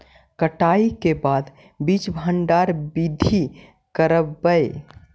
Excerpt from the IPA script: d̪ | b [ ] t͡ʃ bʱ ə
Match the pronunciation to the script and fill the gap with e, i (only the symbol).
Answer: i